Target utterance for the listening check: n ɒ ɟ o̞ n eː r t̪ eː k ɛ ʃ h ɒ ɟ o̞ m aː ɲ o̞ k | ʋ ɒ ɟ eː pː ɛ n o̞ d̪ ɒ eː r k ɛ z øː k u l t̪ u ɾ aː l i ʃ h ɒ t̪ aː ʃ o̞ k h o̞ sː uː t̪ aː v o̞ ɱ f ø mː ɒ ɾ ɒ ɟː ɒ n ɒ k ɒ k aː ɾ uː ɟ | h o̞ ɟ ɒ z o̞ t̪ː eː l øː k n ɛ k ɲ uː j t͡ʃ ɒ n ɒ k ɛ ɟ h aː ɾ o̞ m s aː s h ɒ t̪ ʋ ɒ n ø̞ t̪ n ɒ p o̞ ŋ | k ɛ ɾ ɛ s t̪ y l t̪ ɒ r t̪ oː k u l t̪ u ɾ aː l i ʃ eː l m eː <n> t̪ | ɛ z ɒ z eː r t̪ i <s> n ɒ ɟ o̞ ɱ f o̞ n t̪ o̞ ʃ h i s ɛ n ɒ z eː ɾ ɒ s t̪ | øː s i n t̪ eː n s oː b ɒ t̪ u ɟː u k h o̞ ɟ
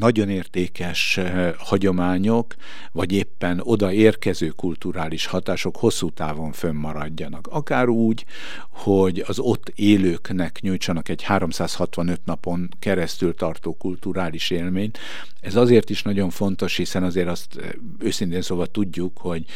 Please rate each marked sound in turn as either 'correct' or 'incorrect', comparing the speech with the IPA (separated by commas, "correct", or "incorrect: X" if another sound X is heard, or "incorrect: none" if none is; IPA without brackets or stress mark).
incorrect: ɲ, incorrect: ʃ